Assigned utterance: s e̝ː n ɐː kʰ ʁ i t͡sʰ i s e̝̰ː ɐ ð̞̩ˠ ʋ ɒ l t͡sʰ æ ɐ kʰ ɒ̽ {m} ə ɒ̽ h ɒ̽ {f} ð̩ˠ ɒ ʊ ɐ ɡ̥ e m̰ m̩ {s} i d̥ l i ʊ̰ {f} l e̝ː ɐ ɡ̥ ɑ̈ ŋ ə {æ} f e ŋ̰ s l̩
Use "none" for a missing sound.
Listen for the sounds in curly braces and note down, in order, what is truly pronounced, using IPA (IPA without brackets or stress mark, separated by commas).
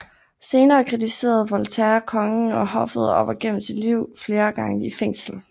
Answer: ŋ, f, s, f, i